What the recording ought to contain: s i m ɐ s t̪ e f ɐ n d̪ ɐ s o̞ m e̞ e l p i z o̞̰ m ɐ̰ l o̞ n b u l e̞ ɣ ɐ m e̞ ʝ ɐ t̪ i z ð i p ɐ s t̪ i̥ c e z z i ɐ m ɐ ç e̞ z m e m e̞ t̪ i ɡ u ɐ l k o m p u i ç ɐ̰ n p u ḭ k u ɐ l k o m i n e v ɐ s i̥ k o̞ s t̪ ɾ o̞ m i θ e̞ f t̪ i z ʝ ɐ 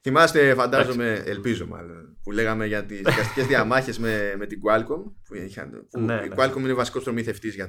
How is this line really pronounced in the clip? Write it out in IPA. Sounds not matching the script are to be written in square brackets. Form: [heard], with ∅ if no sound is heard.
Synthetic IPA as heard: [θ] i m ɐ s t̪ e f ɐ n d̪ ɐ [z] o̞ m e̞ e l p i z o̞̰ m ɐ̰ l o̞ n [p] u l e̞ ɣ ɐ m e̞ ʝ ɐ t̪ i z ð i [k] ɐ s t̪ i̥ c e z [ð] i ɐ m ɐ ç e̞ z m e m e̞ t̪ i ɡ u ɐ l k o m p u i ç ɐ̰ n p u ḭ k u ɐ l k o m i n e v ɐ s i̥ k o̞ s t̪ ɾ o̞ m i θ e̞ f t̪ i z ʝ ɐ